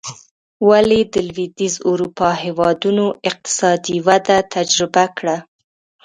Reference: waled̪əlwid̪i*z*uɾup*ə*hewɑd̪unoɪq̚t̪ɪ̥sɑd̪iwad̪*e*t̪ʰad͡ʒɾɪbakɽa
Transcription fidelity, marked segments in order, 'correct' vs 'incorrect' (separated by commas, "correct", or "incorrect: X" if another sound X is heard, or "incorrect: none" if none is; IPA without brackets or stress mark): correct, incorrect: ɑ, incorrect: a